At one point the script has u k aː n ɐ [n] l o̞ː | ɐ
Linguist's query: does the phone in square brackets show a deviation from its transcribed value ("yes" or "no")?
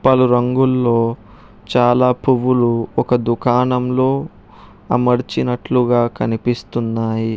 yes